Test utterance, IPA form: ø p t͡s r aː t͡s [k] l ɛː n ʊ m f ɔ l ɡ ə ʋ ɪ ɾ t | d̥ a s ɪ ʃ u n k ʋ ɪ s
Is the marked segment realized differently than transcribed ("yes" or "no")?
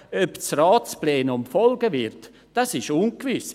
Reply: yes